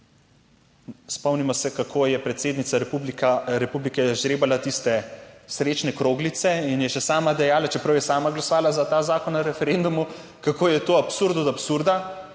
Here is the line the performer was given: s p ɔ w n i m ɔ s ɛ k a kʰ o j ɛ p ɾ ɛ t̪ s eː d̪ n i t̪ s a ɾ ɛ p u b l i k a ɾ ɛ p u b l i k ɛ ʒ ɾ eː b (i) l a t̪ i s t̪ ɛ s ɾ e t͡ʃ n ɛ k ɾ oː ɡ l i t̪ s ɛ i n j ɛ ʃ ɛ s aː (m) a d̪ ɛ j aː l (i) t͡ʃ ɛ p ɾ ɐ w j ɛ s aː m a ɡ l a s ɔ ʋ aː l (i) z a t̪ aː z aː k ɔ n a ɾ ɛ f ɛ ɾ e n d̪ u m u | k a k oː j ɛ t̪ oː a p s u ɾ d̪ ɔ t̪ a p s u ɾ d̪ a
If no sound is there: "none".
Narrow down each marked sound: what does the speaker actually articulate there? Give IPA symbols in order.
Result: a, m, a, a

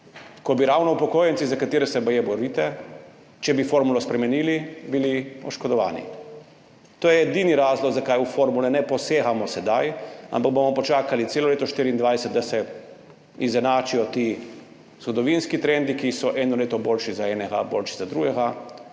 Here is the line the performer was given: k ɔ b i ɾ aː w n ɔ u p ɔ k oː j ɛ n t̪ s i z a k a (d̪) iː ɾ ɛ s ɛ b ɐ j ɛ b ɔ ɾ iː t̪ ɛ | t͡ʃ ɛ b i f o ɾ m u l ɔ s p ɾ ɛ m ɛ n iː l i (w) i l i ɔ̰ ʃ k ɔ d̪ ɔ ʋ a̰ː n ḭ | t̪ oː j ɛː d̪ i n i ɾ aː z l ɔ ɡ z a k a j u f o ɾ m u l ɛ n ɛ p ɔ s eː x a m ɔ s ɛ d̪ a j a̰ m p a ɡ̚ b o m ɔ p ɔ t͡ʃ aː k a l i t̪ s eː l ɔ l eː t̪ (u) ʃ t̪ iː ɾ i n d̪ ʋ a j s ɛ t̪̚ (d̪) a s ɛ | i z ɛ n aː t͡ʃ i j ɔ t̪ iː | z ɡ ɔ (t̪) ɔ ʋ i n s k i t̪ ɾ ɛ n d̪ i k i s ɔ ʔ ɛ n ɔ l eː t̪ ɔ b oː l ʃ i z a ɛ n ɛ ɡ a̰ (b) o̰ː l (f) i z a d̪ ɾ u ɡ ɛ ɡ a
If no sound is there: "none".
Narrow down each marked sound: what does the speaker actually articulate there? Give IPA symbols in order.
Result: t̪, b, ɔ, d̪, d̪, b, ʃ

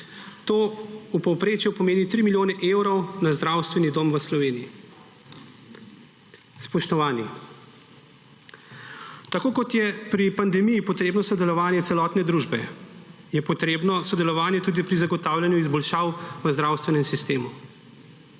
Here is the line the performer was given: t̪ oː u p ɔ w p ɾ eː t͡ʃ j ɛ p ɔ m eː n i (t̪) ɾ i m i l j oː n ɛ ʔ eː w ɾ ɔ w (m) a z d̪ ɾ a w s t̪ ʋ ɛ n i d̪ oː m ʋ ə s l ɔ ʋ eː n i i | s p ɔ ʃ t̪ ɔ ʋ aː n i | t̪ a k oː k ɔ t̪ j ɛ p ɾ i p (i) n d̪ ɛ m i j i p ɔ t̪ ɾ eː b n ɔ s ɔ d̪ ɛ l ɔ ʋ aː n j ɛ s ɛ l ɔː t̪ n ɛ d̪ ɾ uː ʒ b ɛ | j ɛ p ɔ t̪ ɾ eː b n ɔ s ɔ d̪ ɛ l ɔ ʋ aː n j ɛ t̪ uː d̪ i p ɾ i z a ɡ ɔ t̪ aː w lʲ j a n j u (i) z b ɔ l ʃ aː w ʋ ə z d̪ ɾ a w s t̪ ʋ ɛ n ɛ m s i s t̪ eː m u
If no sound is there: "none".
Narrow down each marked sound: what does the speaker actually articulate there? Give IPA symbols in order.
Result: t̪, n, a, i

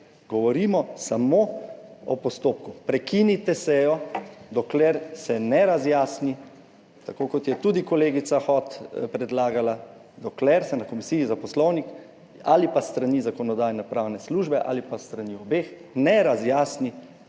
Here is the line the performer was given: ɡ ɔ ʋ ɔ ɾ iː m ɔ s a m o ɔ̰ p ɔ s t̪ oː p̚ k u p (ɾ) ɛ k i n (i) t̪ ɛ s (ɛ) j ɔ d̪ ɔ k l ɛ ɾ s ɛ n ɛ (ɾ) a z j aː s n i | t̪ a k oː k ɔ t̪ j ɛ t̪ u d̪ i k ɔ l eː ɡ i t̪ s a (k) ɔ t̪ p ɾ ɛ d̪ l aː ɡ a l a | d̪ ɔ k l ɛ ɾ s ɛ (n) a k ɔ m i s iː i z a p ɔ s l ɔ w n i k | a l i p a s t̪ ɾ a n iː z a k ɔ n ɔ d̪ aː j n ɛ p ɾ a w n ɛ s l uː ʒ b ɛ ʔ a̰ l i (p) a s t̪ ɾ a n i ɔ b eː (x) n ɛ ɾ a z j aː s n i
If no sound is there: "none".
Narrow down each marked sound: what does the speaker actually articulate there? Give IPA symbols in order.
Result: ɾ, i, ɛ, ɾ, x, n, p, x

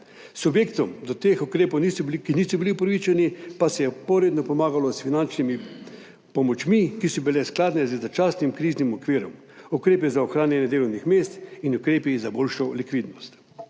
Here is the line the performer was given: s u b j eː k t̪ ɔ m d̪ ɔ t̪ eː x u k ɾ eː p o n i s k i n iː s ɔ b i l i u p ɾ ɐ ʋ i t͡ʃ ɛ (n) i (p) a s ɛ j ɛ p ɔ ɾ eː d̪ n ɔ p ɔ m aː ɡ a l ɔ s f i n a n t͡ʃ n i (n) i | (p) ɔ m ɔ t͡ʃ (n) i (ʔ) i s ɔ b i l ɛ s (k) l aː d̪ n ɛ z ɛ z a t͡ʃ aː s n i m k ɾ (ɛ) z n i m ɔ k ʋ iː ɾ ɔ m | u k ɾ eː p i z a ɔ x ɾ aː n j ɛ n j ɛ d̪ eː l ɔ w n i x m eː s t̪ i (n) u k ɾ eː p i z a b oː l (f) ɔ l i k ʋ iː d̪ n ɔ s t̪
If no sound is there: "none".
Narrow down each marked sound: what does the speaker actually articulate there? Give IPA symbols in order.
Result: n, p, m, p, m, k, k, i, n, ʃ

